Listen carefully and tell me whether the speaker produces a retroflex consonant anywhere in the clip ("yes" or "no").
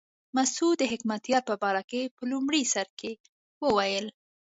yes